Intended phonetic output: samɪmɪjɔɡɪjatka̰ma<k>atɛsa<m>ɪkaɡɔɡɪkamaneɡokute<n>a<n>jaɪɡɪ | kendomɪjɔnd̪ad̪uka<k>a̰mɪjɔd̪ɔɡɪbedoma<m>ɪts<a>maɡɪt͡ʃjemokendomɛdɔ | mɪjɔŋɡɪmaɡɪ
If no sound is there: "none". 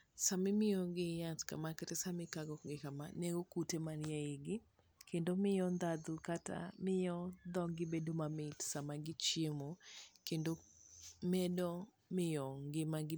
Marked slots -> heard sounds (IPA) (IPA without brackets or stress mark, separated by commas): k, m, m, n, t, m, a